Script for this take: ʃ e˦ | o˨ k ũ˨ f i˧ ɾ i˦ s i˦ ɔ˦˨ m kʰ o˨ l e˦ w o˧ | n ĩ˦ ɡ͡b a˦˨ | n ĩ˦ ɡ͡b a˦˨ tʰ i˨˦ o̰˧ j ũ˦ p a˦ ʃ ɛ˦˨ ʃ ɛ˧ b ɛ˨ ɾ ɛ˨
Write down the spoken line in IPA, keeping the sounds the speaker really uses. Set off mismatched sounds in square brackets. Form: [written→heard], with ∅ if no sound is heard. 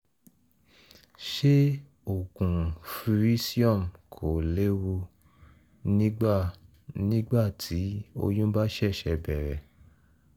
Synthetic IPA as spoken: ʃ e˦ | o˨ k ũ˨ f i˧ ɾ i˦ s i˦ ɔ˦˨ m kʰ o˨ l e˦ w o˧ | n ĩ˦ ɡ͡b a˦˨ | n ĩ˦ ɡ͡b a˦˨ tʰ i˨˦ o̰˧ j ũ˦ [p→b] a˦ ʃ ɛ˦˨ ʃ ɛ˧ b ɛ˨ ɾ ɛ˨